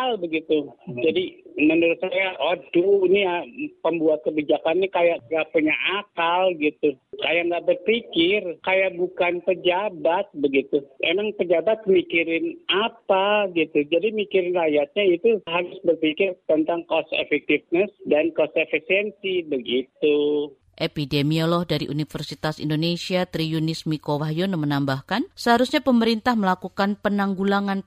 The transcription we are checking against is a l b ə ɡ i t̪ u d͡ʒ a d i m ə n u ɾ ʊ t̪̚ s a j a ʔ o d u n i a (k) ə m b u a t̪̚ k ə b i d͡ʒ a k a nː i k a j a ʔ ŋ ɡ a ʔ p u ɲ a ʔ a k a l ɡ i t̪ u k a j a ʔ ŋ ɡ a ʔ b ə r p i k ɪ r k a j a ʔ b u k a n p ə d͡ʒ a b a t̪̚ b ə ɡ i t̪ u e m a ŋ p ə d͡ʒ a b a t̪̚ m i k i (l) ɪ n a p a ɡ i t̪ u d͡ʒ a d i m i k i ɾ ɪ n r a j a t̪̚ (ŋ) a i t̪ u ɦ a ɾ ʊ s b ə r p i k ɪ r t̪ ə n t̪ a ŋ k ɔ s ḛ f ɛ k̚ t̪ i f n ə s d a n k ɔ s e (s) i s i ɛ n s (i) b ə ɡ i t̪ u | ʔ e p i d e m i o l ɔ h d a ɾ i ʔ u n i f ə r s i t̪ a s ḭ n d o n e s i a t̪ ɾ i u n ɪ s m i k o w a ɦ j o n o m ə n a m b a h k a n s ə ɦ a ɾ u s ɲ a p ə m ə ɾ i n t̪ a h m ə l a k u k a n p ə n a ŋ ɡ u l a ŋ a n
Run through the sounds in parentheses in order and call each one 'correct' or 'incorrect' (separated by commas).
incorrect, incorrect, incorrect, incorrect, correct